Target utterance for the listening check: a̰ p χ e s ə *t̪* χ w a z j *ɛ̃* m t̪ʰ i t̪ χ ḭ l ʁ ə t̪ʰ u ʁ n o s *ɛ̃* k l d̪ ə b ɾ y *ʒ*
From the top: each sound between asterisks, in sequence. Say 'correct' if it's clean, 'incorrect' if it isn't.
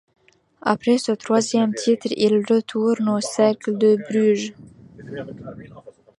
correct, incorrect: ɛ, incorrect: ɛ, correct

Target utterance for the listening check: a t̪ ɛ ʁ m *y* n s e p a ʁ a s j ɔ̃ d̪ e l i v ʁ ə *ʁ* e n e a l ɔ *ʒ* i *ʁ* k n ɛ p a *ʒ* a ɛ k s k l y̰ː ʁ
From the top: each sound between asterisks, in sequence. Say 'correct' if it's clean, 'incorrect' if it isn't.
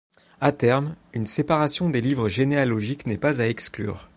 correct, incorrect: ʒ, correct, incorrect: none, incorrect: z

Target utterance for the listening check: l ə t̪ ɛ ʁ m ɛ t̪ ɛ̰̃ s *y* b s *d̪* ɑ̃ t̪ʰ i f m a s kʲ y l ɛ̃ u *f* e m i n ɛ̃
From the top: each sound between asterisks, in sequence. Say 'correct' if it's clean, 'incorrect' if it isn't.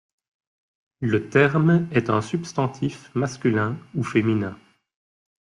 correct, incorrect: t̪, correct

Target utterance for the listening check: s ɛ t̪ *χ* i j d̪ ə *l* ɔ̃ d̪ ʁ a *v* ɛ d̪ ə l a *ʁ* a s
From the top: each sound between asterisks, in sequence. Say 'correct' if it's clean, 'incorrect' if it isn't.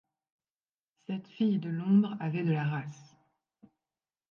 incorrect: f, correct, correct, correct

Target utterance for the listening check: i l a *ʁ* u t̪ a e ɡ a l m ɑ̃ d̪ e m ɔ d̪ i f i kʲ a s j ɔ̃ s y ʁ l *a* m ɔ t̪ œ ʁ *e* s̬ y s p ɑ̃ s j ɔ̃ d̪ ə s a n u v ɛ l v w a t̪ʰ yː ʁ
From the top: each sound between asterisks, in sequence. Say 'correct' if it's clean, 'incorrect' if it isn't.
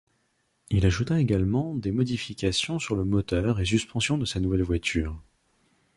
incorrect: ʒ, incorrect: ə, correct

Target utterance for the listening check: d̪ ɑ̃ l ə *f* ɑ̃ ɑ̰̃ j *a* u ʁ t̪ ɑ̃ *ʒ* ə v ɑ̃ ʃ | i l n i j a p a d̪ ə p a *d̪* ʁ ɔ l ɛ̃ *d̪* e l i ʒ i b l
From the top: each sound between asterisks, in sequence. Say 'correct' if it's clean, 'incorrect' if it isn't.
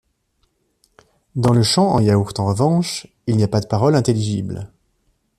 incorrect: ʃ, correct, incorrect: ʁ, incorrect: none, incorrect: t̪

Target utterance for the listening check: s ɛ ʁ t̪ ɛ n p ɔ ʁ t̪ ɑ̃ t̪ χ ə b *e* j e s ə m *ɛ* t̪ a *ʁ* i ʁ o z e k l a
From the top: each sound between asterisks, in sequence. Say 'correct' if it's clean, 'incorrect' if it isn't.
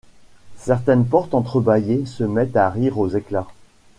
incorrect: a, correct, correct

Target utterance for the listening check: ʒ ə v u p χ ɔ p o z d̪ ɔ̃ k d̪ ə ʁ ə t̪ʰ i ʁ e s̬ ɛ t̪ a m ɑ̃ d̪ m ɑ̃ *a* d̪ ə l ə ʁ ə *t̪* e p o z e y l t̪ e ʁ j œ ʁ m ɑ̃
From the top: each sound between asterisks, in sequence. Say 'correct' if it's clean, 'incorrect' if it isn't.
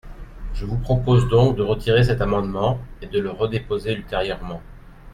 incorrect: e, incorrect: d̪

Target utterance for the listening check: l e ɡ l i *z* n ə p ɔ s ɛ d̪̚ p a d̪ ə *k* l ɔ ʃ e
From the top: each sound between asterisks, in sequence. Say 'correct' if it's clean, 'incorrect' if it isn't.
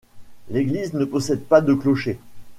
correct, correct

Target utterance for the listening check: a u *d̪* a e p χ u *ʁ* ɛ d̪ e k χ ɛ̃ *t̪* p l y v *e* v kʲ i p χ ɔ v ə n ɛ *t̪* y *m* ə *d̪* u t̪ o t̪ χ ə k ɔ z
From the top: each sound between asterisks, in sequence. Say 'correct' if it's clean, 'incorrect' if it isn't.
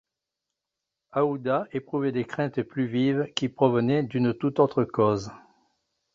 correct, incorrect: v, correct, incorrect: i, incorrect: d̪, incorrect: n, incorrect: t̪

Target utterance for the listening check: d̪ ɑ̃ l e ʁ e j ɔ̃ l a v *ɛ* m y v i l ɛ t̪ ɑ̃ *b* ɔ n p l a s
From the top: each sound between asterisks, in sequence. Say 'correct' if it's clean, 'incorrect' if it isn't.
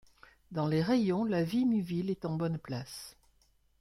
incorrect: i, correct

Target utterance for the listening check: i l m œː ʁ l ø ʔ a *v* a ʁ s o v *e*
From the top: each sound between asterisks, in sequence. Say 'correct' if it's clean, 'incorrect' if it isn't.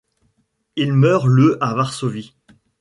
correct, incorrect: i

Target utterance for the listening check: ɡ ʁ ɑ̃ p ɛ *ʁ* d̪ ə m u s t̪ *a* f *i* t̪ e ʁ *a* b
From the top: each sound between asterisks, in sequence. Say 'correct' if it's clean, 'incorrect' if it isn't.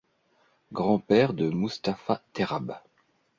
correct, correct, incorrect: a, correct

